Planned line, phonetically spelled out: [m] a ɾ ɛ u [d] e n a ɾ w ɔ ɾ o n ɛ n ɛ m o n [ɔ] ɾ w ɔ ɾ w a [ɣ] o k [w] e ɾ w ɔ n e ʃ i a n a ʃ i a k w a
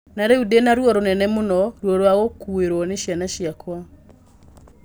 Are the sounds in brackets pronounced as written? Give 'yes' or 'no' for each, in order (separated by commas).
no, yes, yes, yes, no